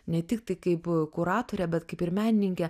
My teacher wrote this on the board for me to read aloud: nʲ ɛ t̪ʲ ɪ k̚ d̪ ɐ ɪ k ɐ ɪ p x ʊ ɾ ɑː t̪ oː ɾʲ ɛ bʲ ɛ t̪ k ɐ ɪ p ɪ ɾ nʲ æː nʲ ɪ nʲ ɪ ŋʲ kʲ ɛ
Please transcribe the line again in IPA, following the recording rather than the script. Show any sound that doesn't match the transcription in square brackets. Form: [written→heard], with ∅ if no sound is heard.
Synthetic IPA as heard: nʲ ɛ t̪ʲ ɪ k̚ [d̪→t̪] ɐ ɪ k ɐ ɪ p [x→k] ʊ ɾ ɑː t̪ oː ɾʲ ɛ bʲ ɛ t̪ k ɐ ɪ p ɪ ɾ [nʲ→mʲ] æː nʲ ɪ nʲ ɪ ŋʲ kʲ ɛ